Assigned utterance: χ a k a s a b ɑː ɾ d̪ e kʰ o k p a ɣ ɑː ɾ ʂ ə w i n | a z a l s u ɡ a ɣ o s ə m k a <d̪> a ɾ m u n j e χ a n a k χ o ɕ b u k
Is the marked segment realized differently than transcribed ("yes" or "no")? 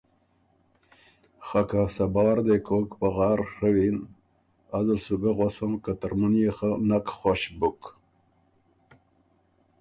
yes